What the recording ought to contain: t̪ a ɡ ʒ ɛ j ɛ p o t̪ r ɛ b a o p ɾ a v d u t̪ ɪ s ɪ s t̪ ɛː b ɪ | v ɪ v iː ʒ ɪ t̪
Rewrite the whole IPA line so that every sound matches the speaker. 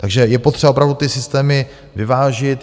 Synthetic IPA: t̪ a ɡ ʒ ɛ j ɛ p o t̪ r ɛ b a o p ɾ a v d u t̪ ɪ s ɪ s t̪ ɛː m ɪ | v ɪ v aː ʒ ɪ t̪